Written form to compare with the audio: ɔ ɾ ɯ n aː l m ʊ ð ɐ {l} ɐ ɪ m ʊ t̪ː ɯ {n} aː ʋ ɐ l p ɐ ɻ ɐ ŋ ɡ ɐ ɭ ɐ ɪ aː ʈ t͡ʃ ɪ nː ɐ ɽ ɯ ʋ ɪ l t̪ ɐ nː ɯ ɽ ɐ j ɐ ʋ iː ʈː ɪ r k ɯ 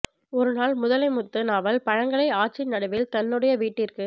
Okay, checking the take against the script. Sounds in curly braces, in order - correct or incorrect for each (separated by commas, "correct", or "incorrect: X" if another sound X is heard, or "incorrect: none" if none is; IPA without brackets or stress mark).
correct, correct